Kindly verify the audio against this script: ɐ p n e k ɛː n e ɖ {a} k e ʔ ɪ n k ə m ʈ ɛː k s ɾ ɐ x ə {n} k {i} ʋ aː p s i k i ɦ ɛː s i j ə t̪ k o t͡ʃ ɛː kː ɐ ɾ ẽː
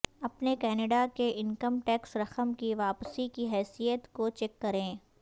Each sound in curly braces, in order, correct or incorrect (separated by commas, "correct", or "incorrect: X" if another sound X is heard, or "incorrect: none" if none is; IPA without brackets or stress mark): correct, incorrect: m, correct